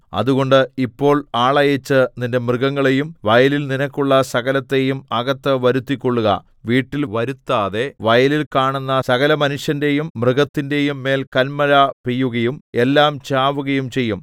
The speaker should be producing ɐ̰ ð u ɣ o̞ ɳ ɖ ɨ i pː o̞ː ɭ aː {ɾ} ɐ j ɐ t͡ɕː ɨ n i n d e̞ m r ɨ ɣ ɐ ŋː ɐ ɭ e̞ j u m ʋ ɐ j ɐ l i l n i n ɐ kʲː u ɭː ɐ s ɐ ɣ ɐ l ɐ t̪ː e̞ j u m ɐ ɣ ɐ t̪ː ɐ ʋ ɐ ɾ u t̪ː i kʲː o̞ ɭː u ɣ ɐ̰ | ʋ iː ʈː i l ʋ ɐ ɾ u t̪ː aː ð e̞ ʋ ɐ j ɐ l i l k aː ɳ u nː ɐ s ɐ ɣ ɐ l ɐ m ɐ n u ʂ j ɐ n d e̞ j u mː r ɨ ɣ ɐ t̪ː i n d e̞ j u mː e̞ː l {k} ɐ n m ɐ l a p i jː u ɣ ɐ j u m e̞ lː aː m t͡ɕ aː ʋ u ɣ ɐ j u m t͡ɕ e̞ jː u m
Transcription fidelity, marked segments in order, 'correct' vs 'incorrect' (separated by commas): incorrect, correct